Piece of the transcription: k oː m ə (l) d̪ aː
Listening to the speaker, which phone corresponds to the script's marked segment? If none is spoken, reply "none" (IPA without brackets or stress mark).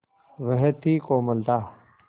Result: l